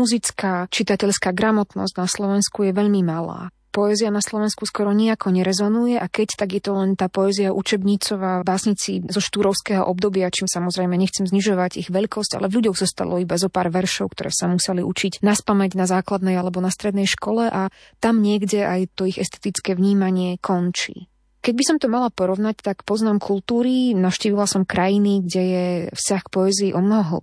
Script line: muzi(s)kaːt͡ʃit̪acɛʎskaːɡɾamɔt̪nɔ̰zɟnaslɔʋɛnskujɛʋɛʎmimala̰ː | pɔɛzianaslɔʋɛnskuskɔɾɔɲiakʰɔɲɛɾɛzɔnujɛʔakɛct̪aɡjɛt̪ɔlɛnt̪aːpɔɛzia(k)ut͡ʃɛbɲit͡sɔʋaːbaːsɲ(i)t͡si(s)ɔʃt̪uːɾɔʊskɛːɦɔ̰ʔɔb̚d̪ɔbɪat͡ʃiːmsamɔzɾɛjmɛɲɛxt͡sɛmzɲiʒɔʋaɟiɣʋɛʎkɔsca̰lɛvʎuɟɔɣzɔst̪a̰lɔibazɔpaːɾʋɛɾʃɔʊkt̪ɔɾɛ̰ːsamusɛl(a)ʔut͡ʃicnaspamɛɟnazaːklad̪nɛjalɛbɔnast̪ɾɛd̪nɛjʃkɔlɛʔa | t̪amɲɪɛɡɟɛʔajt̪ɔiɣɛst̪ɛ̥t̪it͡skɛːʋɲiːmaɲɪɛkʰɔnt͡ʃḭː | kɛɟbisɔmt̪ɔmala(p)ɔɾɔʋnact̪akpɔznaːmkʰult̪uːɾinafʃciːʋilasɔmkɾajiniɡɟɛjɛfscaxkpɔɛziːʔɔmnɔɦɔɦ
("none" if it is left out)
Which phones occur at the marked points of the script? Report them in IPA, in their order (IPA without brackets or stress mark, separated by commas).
t͡s, ʔ, i, z, i, p